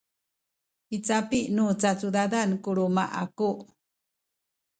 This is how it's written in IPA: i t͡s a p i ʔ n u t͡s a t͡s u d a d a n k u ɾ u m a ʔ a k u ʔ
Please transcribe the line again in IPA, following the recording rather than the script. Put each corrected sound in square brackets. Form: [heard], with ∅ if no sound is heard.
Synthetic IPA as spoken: i t͡s a p i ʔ n u t͡s a t͡s u d a d a n k u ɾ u m a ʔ a k u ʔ